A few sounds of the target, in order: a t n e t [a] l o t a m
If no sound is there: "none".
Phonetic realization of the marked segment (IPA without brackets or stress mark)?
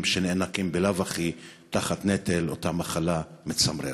e